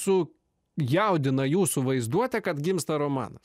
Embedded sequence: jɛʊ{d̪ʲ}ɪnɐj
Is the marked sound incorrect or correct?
correct